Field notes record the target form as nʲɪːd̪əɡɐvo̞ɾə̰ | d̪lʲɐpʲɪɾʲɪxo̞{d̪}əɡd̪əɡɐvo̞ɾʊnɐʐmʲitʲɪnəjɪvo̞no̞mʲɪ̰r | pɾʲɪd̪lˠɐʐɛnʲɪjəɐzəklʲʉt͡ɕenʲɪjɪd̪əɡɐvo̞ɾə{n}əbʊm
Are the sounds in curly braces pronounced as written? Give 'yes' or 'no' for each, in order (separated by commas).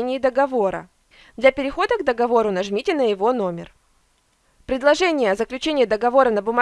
yes, yes